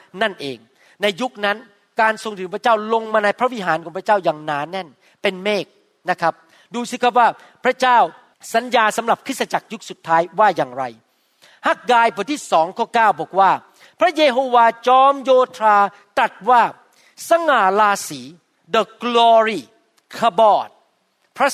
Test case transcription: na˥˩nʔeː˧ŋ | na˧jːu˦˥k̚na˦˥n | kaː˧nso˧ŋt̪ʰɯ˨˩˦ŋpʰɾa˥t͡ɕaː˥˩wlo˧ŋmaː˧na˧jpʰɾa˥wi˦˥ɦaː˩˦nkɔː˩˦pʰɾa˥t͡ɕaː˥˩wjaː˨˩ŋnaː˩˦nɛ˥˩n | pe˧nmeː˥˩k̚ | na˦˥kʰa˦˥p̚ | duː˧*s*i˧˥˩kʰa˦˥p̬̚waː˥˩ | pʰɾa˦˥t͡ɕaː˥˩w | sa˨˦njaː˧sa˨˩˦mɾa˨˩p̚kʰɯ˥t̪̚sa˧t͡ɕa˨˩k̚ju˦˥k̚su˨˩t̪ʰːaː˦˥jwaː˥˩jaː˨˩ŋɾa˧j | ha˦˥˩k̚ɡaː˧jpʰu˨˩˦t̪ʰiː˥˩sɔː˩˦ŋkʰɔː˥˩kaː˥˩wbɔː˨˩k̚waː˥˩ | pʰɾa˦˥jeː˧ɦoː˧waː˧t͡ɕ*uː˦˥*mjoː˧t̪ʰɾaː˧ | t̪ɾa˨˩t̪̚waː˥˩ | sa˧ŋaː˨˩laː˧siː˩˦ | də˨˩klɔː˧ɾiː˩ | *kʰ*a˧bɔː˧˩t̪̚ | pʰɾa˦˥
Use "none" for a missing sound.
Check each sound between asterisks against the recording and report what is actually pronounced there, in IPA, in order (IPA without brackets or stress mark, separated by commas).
s, ɔː˦˥, kʰ